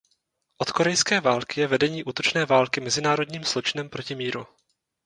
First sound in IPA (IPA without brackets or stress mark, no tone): ʔ